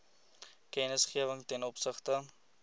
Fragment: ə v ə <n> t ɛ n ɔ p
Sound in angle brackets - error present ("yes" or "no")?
yes